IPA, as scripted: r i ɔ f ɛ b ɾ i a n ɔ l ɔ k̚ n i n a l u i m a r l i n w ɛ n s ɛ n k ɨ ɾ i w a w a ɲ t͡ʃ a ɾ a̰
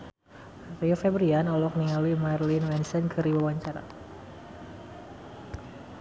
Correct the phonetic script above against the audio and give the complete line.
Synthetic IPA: r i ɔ f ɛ b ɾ i a n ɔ l ɔ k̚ n i ŋ a l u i m a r l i n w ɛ n s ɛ n k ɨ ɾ i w a w a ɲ t͡ʃ a ɾ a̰